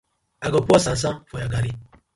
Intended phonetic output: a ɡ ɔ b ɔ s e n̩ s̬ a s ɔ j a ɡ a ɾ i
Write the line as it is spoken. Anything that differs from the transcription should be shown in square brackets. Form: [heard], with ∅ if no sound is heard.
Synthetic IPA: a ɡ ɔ [p] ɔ s [a] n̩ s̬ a [f] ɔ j a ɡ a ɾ i